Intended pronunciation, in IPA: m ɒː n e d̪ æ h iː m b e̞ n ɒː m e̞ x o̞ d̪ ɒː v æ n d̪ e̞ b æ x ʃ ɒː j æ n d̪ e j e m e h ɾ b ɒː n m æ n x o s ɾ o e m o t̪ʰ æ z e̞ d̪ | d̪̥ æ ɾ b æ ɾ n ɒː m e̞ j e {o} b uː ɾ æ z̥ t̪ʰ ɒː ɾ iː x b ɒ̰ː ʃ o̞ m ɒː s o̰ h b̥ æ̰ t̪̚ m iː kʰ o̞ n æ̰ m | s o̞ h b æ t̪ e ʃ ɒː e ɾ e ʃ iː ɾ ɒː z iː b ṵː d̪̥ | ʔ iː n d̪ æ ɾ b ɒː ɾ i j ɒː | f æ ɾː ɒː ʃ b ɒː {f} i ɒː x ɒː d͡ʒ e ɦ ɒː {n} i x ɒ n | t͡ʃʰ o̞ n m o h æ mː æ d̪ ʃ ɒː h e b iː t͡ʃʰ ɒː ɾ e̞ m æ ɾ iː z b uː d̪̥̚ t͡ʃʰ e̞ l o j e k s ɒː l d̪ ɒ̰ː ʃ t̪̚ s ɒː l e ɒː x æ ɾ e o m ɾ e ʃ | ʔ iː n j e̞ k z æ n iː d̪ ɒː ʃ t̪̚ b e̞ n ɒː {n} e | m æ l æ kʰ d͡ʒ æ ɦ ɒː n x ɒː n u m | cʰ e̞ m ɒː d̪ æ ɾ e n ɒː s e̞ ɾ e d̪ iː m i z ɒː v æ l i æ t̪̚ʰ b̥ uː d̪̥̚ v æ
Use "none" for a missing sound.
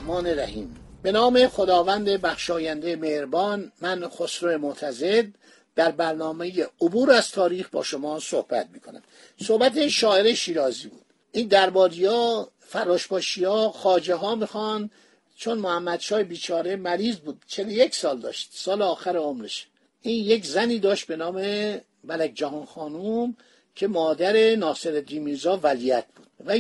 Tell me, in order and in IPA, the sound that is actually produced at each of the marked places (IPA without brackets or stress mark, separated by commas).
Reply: o, ʃ, m, m